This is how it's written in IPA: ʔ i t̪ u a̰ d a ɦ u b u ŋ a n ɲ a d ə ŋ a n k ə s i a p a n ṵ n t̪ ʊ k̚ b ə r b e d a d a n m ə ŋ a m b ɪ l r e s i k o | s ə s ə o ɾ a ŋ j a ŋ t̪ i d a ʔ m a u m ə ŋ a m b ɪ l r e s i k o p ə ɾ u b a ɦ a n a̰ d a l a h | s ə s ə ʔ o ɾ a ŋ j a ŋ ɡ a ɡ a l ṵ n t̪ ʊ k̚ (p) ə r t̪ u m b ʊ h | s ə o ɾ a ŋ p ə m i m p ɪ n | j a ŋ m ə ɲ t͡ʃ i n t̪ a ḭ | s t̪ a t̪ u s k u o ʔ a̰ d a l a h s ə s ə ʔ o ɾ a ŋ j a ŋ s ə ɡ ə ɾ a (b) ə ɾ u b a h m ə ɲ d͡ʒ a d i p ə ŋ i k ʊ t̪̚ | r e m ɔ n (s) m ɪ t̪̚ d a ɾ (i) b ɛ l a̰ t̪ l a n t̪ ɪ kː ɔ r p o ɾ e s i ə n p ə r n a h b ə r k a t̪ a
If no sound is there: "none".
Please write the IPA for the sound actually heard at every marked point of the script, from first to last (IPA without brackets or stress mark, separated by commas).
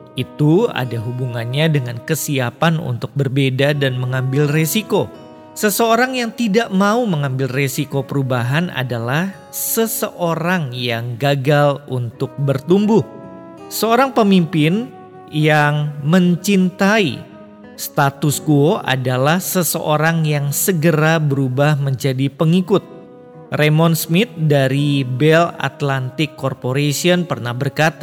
b, b, s, i